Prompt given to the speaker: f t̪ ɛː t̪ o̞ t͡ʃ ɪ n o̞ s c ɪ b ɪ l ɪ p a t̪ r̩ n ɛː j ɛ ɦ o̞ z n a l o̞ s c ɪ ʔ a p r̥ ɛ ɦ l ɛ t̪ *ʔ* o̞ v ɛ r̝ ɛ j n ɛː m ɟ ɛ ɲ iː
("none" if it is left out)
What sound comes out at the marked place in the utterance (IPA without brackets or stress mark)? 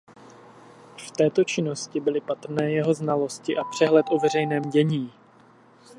ʔ